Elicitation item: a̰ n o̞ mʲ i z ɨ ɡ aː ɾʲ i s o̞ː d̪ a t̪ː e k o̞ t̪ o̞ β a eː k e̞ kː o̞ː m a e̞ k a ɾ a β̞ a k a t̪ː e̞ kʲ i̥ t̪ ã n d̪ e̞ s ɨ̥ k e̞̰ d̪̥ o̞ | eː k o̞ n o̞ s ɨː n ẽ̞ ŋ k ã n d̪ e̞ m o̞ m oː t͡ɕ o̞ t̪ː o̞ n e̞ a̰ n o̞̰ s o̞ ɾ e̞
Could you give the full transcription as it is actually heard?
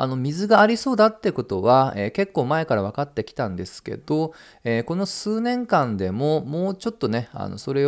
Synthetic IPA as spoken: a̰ n o̞ mʲ i z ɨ ɡ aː ɾʲ i s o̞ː d̪ a t̪ː e k o̞ t̪ o̞ β a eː k e̞ kː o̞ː m a e̞ k a ɾ a β̞ a k a t̪ː e̞ kʲ i̥ t̪ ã n d̪ e̞ s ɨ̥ k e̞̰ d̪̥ o̞ | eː k o̞ n o̞ s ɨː n ẽ̞ ŋ k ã n d̪ e̞ m o̞ m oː t͡ɕ o̞ t̪ː o̞ n e̞ a̰ n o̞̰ s o̞ ɾ e̞